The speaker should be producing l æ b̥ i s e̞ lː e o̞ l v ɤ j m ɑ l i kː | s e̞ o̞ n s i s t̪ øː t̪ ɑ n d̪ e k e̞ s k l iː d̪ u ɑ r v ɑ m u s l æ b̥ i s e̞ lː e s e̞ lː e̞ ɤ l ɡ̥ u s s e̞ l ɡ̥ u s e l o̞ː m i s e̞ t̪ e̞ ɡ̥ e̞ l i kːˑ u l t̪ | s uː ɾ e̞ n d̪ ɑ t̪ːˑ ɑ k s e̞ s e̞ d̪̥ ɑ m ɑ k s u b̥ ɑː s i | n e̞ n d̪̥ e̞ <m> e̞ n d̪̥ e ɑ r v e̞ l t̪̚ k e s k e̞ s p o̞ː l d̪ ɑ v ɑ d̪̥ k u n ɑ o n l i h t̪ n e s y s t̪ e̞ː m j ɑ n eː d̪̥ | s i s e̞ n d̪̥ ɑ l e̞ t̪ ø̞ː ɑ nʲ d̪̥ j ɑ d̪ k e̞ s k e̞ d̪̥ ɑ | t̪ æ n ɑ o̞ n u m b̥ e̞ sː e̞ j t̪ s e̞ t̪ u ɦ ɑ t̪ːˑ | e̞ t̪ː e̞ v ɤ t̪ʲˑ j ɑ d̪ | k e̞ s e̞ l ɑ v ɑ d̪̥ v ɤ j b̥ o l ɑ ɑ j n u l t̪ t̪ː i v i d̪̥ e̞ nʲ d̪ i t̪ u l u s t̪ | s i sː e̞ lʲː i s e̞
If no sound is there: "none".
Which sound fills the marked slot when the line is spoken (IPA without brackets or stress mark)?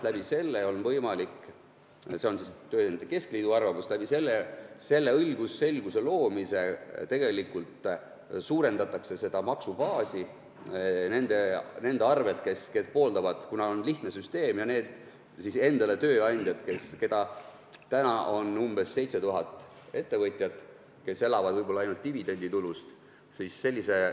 n